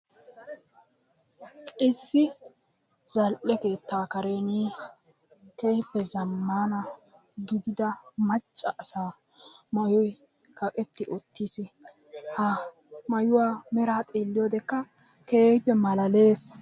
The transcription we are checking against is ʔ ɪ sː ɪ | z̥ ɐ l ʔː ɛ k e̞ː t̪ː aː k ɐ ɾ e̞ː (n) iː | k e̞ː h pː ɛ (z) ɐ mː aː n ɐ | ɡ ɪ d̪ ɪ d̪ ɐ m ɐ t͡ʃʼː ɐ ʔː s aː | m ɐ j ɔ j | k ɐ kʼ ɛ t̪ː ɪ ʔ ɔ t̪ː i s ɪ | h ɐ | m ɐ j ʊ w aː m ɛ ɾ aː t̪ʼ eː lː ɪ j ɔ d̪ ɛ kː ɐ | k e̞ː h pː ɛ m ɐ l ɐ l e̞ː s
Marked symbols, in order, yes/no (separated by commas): yes, yes